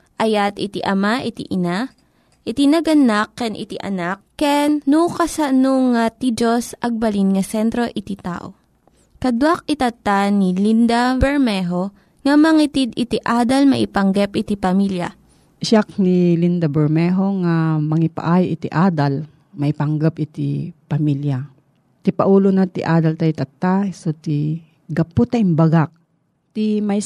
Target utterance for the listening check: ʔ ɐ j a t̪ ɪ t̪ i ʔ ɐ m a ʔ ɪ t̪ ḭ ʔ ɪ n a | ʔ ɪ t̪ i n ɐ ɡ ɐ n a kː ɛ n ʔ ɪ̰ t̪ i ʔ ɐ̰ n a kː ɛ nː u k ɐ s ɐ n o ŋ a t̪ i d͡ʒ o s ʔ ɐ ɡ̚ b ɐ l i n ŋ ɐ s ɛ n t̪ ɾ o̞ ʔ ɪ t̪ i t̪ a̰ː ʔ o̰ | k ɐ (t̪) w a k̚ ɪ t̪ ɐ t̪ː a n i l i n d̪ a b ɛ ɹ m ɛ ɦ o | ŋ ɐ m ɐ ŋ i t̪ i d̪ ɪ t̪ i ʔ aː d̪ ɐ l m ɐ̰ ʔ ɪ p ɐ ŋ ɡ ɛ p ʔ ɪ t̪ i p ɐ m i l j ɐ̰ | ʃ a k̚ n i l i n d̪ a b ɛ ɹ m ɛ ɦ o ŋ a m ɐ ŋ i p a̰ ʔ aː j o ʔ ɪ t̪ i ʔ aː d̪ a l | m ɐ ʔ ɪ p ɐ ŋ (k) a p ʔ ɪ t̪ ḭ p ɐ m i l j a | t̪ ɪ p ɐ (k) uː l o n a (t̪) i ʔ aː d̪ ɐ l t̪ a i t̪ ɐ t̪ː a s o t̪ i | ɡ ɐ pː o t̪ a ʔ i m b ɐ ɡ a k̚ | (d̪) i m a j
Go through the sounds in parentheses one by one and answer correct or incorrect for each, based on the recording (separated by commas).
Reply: incorrect, incorrect, incorrect, correct, incorrect